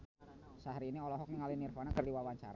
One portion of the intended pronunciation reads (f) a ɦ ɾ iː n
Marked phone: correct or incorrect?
incorrect